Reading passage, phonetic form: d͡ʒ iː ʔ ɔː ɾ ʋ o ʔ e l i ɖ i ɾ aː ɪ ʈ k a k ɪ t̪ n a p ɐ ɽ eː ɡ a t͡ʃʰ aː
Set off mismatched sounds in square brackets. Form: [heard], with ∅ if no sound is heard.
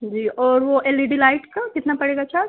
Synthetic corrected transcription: d͡ʒ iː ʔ ɔː ɾ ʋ o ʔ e l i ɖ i [l] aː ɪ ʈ k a k ɪ t̪ n a p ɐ ɽ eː ɡ a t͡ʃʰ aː